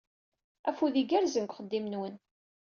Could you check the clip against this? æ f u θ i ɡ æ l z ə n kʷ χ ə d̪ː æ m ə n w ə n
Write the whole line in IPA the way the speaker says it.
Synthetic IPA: æ f u ð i ɡ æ ɾ z ə n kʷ χ ə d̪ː i m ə n w ə n